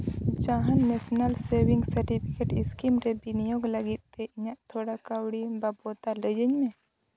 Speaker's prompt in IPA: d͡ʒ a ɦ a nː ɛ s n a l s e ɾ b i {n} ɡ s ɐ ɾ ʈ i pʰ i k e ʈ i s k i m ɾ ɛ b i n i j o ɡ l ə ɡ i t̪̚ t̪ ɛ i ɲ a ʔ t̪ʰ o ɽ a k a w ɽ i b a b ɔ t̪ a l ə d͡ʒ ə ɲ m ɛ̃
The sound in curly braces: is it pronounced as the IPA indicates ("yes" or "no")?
no